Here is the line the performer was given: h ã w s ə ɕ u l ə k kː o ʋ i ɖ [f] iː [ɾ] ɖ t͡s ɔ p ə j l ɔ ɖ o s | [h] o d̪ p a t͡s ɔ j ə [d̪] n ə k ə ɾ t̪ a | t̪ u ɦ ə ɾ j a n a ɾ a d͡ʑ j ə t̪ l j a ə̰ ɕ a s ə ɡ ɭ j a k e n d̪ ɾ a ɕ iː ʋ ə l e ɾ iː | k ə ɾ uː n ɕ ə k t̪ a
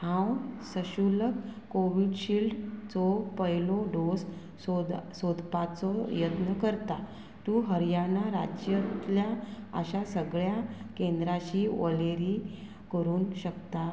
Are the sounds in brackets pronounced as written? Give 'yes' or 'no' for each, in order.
no, no, no, no

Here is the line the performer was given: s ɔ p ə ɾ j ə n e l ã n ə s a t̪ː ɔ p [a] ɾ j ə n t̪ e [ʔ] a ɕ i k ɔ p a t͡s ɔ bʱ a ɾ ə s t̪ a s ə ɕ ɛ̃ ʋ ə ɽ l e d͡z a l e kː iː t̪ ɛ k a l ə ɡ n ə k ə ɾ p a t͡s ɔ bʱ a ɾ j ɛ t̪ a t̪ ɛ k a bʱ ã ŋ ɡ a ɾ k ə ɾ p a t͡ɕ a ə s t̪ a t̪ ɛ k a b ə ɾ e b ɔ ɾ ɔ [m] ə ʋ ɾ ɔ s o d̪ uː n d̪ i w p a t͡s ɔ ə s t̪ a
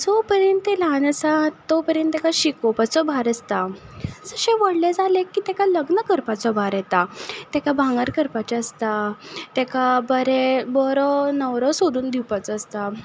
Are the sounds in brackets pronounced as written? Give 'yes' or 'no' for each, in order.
no, no, no

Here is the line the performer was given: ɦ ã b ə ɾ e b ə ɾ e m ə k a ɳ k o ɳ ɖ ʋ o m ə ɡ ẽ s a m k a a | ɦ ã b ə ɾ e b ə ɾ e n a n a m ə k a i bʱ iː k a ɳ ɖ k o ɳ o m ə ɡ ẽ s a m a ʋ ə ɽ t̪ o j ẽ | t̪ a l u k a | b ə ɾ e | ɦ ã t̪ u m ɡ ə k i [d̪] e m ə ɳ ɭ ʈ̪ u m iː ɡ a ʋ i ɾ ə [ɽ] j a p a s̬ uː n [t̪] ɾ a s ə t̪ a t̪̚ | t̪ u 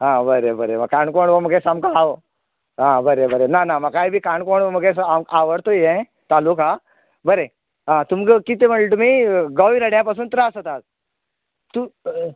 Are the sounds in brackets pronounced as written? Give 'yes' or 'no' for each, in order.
no, yes, yes

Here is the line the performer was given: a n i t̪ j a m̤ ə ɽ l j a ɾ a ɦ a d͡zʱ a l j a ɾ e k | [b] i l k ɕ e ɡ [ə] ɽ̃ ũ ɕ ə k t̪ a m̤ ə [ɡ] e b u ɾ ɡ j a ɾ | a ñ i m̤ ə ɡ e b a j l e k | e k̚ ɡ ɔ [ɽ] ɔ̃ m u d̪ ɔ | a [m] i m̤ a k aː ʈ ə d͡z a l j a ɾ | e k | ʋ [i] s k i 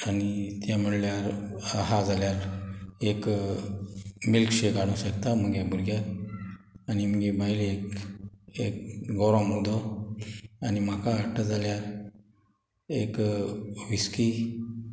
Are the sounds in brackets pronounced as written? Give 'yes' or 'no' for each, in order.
no, no, yes, no, no, yes

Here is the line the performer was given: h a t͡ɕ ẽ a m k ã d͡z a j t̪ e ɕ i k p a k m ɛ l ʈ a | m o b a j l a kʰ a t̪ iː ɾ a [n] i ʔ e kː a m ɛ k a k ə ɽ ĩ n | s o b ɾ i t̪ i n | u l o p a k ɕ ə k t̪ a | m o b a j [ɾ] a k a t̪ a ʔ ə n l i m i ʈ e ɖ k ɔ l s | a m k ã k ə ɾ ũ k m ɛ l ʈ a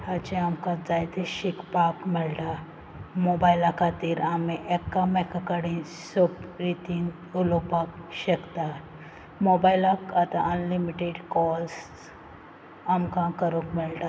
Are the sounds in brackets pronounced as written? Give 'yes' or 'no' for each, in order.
no, no

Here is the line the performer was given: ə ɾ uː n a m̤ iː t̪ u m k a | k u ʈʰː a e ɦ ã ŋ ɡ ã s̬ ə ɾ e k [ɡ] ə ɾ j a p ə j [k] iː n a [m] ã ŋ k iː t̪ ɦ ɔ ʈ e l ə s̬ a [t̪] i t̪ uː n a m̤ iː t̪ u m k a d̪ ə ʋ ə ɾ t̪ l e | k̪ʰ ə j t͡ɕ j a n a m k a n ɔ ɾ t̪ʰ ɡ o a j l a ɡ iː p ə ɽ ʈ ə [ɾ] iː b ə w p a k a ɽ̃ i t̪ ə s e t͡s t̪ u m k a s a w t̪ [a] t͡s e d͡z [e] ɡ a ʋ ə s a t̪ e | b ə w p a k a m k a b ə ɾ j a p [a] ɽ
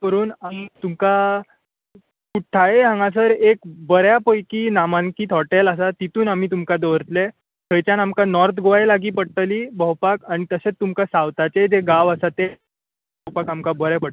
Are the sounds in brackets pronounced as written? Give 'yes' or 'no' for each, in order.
no, yes, yes, yes, no, yes, yes, no

